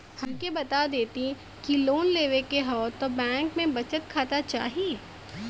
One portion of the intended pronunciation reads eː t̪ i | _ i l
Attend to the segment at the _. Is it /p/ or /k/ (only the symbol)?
k